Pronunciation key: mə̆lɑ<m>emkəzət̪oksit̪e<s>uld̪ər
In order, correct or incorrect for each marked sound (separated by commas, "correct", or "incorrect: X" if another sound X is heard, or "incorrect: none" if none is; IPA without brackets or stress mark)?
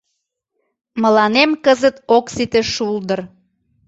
incorrect: n, incorrect: ʃ